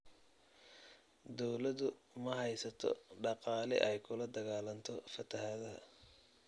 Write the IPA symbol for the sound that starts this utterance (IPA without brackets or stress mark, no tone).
d̪